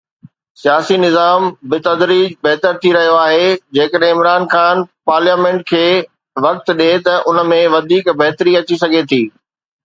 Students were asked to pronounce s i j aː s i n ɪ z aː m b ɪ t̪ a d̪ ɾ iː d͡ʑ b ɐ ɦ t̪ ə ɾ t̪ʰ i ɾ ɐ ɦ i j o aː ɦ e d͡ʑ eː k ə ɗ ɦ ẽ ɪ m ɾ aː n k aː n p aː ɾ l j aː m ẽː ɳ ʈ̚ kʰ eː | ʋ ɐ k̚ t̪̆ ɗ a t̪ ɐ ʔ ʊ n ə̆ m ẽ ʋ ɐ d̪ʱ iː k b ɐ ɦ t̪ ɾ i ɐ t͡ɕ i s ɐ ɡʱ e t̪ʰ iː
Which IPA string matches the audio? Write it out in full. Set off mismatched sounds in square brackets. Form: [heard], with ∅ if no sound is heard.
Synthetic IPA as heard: s i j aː s i n ɪ z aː m b ɪ t̪ [ɐ] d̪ ɾ iː d͡ʑ b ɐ ɦ t̪ ə ɾ t̪ʰ i ɾ ɐ ɦ i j o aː ɦ e d͡ʑ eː k ə ɗ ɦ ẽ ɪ m ɾ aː n [x] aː n p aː ɾ l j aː m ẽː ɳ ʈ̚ kʰ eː | ʋ ɐ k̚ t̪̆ ɗ [e] t̪ ɐ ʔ ʊ n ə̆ m ẽ ʋ ɐ d̪ʱ iː k b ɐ ɦ t̪ ɾ i ɐ t͡ɕ i s ɐ ɡʱ e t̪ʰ iː